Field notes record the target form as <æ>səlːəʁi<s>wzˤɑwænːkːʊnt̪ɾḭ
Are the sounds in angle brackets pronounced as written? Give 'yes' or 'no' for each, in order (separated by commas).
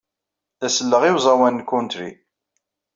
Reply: yes, no